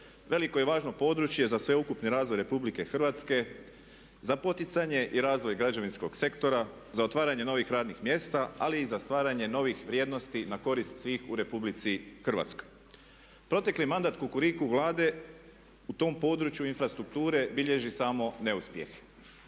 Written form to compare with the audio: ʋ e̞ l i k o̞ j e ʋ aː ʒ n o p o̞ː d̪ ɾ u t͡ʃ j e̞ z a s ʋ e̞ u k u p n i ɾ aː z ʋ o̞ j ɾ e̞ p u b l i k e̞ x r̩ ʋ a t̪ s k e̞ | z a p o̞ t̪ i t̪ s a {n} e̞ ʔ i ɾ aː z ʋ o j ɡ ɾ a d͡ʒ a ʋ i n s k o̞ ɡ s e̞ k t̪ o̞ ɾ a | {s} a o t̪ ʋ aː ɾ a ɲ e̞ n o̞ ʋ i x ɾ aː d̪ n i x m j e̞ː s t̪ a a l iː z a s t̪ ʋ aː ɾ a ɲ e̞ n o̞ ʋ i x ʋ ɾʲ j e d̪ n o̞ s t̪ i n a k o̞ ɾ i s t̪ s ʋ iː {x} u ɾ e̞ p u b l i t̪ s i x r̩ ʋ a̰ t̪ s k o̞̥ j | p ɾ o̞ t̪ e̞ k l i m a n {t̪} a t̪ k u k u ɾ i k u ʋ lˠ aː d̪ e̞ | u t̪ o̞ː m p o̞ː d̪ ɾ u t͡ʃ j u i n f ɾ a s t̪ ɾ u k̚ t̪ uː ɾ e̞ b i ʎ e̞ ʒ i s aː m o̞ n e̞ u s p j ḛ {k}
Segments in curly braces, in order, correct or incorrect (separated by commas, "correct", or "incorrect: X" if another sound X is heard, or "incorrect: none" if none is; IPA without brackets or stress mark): incorrect: ɲ, incorrect: z, correct, incorrect: d̪, incorrect: x